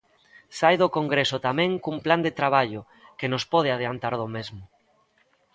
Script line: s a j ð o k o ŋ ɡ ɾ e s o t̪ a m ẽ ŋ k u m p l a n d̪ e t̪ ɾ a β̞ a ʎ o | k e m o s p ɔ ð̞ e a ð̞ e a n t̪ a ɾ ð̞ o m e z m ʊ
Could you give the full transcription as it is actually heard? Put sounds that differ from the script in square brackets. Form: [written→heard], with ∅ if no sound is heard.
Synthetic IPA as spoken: s a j ð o k o ŋ ɡ ɾ e s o t̪ a m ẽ ŋ k u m p l a n d̪ e t̪ ɾ a β̞ a ʎ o | k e [m→n] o s p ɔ ð̞ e a ð̞ e a n t̪ a ɾ ð̞ o m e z m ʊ

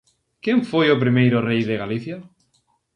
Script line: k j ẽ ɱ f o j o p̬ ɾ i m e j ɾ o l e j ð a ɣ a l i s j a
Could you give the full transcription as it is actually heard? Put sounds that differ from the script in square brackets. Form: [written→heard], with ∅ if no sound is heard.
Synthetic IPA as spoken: k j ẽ ɱ f o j o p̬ ɾ i m e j ɾ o [l→r] e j ð [a→e] ɣ a l i [s→θ] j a

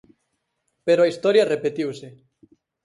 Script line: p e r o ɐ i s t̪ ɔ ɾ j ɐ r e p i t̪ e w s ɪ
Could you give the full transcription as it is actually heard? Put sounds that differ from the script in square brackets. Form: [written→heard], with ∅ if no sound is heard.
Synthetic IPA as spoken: p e [r→ɾ] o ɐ i s t̪ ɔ ɾ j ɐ r e p [i→e] t̪ [e→i] w s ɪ

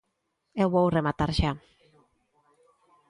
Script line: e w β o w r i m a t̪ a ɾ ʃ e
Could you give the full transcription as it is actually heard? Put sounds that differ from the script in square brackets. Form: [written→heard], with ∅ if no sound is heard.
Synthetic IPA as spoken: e w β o w r [i→e] m a t̪ a ɾ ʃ [e→a]

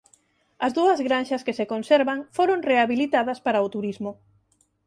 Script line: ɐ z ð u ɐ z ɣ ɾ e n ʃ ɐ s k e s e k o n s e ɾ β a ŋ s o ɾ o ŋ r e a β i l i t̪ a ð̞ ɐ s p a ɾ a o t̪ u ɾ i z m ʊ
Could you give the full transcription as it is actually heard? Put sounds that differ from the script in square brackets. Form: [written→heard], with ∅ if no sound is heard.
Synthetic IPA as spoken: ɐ z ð u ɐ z ɣ ɾ [e→a] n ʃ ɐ s k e s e k o n s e ɾ β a ŋ [s→f] o ɾ o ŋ r e a β i l i t̪ a ð̞ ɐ s p a ɾ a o t̪ u ɾ i z m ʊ

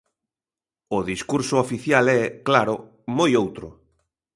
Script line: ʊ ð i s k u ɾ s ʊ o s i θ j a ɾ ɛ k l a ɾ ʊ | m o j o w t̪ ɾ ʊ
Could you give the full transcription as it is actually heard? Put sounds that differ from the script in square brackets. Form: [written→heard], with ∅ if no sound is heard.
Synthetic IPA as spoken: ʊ ð i s k u ɾ s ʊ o [s→f] i θ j a [ɾ→l] ɛ k l a ɾ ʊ | m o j o w t̪ ɾ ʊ

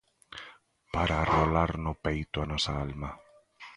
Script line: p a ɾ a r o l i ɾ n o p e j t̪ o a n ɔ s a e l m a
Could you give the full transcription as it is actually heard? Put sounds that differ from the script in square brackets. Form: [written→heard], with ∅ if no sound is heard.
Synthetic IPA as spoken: p a ɾ a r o l [i→a] ɾ n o p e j t̪ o a n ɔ s a [e→a] l m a

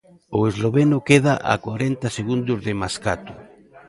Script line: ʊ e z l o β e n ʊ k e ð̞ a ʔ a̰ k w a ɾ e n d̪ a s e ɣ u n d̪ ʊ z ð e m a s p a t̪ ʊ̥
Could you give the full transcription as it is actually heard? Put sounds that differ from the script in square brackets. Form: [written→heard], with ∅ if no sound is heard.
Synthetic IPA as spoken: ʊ e z l o β e n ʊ k e ð̞ a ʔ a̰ k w a ɾ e n [d̪→t̪] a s e ɣ u n d̪ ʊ z ð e m a s [p→k] a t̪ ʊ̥

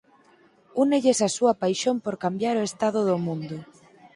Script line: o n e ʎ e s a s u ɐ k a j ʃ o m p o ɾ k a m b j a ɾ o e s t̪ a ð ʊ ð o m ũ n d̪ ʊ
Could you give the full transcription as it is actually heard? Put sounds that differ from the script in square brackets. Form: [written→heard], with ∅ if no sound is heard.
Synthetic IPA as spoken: [o→u] n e ʎ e s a s u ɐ [k→p] a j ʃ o m p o ɾ k a m b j a ɾ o e s t̪ a ð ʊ ð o m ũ n d̪ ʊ

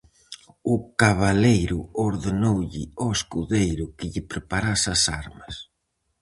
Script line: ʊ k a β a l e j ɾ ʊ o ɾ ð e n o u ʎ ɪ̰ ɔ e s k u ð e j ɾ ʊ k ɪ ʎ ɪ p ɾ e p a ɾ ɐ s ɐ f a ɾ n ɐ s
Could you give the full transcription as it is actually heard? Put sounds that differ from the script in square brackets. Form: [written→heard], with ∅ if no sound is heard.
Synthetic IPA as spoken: ʊ k a β a l e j ɾ ʊ o ɾ ð e n o [u→w] ʎ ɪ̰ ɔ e s k u ð e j ɾ ʊ k ɪ ʎ ɪ p ɾ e p a ɾ [ɐ→a] s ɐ [f→s] a ɾ [n→m] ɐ s

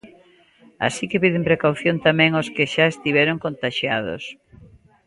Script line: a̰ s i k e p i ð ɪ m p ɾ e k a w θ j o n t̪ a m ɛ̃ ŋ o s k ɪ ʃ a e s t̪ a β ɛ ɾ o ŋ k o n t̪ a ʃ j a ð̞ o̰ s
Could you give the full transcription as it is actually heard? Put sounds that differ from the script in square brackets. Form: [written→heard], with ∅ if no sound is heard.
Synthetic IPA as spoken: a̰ s i k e p i ð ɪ m p ɾ e k a w θ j o n t̪ a m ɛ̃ ŋ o s k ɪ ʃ a e s t̪ [a→i] β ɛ ɾ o ŋ k o n t̪ a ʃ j a ð̞ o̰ s

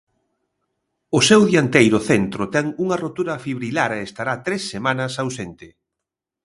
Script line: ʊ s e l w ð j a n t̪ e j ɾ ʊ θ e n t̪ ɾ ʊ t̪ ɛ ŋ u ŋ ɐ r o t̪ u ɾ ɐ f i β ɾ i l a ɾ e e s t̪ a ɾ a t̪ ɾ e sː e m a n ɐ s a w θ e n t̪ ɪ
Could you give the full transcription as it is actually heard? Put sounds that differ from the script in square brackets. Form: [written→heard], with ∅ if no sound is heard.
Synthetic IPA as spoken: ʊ s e [l→∅] w ð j a n t̪ e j ɾ ʊ θ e n t̪ ɾ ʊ t̪ ɛ ŋ u ŋ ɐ r o t̪ u ɾ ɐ f i β ɾ i l a ɾ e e s t̪ a ɾ a t̪ ɾ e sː e m a n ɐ s a w [θ→s] e n t̪ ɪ

